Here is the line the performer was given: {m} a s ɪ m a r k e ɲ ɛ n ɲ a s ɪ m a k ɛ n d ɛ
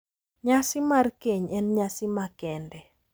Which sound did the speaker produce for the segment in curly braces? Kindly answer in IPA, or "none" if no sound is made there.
ɲ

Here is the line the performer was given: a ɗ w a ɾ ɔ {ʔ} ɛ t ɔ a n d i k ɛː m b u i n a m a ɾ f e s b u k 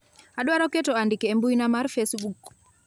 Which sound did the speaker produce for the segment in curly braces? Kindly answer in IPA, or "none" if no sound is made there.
k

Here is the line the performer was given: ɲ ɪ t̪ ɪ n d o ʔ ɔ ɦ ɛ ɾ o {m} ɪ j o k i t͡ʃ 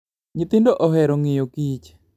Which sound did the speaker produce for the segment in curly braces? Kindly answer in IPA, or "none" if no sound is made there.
ŋ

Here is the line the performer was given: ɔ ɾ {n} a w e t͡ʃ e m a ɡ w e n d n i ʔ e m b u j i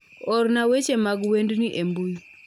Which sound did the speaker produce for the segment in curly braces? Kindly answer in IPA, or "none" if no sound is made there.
n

